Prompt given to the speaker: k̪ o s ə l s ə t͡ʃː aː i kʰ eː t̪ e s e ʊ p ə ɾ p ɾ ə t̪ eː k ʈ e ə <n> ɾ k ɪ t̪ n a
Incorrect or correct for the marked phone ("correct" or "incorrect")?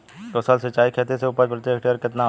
incorrect